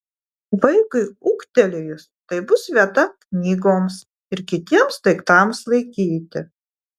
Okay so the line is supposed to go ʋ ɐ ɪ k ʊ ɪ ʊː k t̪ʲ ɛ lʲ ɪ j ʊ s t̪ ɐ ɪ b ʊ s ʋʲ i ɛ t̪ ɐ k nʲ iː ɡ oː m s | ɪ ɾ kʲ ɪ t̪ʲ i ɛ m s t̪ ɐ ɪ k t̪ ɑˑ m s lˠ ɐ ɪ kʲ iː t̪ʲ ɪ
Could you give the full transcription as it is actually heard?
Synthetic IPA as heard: ʋ ɐ ɪ k ʊ ɪ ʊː k t̪ʲ ɛ lʲ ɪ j ʊ s t̪ ɐ ɪ b ʊ s ʋʲ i ɛ t̪ ɐ k nʲ iː ɡ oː m s | ɪ ɾ kʲ ɪ t̪ʲ i ɛ m s t̪ ɐ ɪ k t̪ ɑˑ m s lˠ ɐ ɪ kʲ iː t̪ʲ ɪ